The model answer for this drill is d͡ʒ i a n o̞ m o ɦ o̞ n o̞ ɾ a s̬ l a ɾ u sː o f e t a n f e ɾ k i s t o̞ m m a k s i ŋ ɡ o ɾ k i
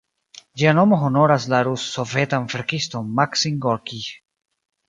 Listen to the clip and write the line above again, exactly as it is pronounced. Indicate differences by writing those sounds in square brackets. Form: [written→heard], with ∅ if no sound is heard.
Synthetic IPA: d͡ʒ i a n o̞ m o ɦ o̞ n o̞ ɾ a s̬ l a ɾ u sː o [f→v] e t a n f e ɾ k i s t o̞ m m a k s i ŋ ɡ o ɾ k i

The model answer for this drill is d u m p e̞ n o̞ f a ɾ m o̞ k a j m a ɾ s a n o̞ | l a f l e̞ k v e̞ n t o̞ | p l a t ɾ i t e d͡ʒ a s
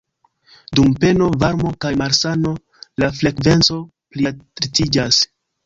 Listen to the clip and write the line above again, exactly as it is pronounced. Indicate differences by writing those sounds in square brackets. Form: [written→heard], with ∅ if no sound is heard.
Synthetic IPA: d u m p e̞ n o̞ [f→v] a ɾ m o̞ k a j m a ɾ s a n o̞ | l a f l e̞ k v e̞ n [t→t͡s] o̞ | p l [a→i] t ɾ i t [e→i] d͡ʒ a s

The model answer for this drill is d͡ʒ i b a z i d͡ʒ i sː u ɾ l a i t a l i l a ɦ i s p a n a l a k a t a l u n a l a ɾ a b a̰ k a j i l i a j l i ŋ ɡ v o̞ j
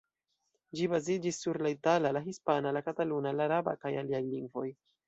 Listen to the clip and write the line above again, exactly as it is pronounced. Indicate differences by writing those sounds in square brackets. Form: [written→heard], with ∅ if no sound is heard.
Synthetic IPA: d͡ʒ i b a z i d͡ʒ i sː u ɾ l a i t a l [i→a] l a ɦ i s p a n a l a k a t a l u n a l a ɾ a b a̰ k a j [i→a] l i a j l i ŋ ɡ v o̞ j

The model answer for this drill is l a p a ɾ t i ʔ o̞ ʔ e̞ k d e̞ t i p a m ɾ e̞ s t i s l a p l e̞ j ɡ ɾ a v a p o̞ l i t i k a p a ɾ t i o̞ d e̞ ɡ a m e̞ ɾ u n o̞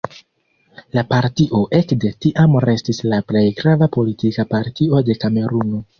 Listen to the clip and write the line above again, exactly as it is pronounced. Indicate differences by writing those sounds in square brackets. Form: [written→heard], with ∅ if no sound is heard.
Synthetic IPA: l a p a ɾ t i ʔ o̞ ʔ e̞ k d e̞ t i [p→ʔ] a m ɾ e̞ s t i s l a p l e̞ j ɡ ɾ a v a p o̞ l i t i k a p a ɾ t i o̞ d e̞ [ɡ→k] a m e̞ ɾ u n o̞

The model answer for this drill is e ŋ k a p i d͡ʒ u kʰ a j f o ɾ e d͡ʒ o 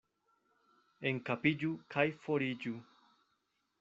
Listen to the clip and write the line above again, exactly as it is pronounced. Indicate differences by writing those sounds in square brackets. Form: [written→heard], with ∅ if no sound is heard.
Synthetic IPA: e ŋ k a p i d͡ʒ u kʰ a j f o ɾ [e→i] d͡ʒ [o→u]

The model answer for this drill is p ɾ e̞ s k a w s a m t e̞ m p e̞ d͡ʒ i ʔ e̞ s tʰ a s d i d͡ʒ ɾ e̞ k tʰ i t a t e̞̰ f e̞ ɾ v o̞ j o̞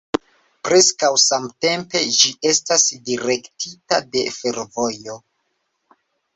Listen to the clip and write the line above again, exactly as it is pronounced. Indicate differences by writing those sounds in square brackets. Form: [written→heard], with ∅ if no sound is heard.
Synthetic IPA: p ɾ e̞ s k a w s a m t e̞ m p e̞ d͡ʒ i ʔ e̞ s [tʰ→t] a s d i [d͡ʒ→∅] ɾ e̞ k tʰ i t a [t→d] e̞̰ f e̞ ɾ v o̞ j o̞

